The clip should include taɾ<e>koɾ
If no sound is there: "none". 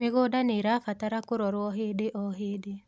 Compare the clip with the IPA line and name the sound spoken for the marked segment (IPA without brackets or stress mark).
a